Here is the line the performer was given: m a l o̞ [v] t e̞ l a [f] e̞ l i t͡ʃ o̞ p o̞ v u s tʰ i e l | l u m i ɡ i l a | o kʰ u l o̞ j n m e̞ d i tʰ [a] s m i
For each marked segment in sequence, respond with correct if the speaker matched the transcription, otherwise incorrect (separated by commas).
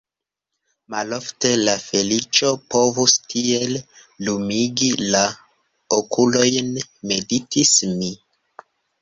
incorrect, correct, incorrect